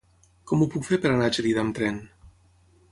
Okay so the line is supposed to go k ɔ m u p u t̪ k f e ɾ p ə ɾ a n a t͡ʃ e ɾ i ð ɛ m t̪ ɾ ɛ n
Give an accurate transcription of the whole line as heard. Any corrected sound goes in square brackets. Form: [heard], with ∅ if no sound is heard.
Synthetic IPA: k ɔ m u p u [∅] k f e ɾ p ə ɾ a n a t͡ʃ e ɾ i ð [a] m t̪ ɾ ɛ n